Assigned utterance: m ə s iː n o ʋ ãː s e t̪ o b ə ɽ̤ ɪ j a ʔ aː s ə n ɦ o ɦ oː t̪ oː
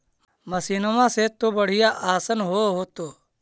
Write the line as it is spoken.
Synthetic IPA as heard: m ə s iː n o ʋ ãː s e t̪ o b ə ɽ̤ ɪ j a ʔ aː s ə n ɦ o ɦ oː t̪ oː

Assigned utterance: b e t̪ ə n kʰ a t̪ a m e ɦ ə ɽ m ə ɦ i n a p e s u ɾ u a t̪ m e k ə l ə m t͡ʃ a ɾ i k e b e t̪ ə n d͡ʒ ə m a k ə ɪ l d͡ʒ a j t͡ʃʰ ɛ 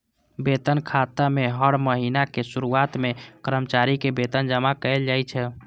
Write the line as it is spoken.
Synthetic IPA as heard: b e t̪ ə n kʰ a t̪ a m e ɦ ə ɽ m ə ɦ i n a k e s u ɾ u a t̪ m e k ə ɾ ə m t͡ʃ a ɾ i k e b e t̪ ə n d͡ʒ ə m a k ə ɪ l d͡ʒ a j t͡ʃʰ ɛ

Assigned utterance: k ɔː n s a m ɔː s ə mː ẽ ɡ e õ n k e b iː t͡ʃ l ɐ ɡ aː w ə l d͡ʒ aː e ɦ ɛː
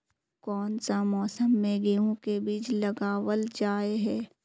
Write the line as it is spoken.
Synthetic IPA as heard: k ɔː n s a m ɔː s ə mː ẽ ɡ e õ k e b iː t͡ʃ l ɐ ɡ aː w ə l d͡ʒ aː e ɦ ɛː

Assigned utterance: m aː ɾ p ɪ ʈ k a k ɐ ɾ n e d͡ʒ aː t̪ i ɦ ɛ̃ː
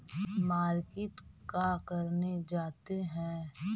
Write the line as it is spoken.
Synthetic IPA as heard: m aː ɾ k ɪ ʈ k a k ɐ ɾ n e d͡ʒ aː t̪ e ɦ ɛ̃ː

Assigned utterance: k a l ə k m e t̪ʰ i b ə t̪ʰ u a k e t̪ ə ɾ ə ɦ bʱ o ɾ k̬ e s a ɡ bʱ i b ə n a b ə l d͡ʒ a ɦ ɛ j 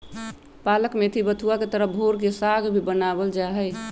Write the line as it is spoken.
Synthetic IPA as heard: p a l ə k m e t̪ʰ i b ə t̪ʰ u a k e t̪ ə ɾ ə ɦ bʱ o ɾ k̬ e s a ɡ bʱ i b ə n a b ə l d͡ʒ a ɦ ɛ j

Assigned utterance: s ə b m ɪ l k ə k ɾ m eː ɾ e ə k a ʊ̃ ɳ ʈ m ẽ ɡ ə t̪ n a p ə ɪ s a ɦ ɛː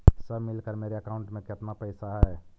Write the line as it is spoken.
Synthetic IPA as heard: s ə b m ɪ l k ə ɾ m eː ɾ e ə k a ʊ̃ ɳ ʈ m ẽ k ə t̪ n a p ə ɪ s a ɦ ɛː

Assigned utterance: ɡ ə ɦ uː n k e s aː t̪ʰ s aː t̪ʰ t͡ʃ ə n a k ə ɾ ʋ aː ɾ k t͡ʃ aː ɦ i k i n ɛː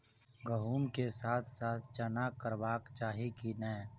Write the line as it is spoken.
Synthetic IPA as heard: ɡ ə ɦ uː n k e s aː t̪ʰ s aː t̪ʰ t͡ʃ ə n a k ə ɾ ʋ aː k t͡ʃ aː ɦ i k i n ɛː

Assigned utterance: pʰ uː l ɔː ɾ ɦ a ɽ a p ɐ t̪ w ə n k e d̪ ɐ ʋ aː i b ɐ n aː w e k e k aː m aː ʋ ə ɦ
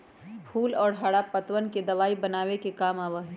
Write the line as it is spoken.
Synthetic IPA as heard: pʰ uː l ɔː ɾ ɦ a ɽ a p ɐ t̪ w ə n k e d̪ ɐ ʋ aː i b ɐ n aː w e k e k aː m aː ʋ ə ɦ

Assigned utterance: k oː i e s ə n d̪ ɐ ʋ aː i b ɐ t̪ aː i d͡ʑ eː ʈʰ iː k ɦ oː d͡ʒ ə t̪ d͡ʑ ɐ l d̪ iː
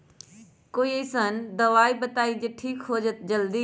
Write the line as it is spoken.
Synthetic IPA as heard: k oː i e s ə n d̪ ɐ ʋ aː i b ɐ t̪ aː i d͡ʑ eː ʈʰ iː k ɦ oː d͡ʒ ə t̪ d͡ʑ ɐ l d̪ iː

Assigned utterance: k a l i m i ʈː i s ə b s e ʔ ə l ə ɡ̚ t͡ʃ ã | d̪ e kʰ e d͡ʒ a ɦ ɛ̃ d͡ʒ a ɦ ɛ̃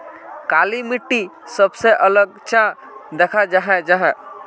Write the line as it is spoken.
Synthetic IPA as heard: k a l i m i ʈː i s ə b s e ʔ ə l ə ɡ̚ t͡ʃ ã | d̪ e kʰ a d͡ʒ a ɦ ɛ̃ d͡ʒ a ɦ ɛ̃

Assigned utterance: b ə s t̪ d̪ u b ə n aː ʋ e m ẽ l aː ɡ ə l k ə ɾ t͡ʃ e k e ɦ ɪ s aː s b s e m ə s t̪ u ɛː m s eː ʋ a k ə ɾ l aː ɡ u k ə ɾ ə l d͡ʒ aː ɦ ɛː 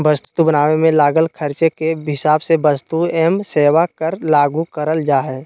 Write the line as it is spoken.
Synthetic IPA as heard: b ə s t̪ t̪ u b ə n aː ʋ e m ẽ l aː ɡ ə l kʰ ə ɾ t͡ʃ e k e ɦ ɪ s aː b s e b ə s t̪ u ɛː m s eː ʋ a k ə ɾ l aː ɡ u k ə ɾ ə l d͡ʒ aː ɦ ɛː

